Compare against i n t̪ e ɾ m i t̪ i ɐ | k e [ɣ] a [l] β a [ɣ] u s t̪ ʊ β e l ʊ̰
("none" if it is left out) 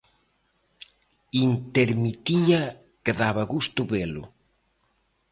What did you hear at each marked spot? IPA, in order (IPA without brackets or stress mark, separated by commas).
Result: ð, none, ɣ